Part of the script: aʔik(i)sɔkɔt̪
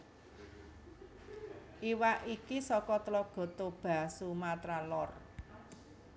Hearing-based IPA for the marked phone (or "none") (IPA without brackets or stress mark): i